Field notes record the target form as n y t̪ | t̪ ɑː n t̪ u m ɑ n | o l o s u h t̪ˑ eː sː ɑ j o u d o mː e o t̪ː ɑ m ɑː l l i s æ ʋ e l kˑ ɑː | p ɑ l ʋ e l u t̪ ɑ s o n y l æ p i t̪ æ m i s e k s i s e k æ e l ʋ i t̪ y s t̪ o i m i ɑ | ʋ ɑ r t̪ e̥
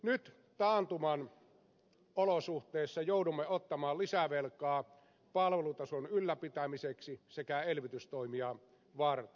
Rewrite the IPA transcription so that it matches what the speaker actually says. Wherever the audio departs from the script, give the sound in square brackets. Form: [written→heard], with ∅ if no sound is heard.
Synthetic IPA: n y t̪ | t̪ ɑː n t̪ u m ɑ n | o l o s u h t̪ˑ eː sː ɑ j o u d [o→u] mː e o t̪ː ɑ m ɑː l l i s æ ʋ e l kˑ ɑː | p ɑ l ʋ e l u t̪ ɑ s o n y [l→lː] æ p i t̪ æ m i s e k s i s e k æ e l ʋ i t̪ y s t̪ o i m i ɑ | ʋ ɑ r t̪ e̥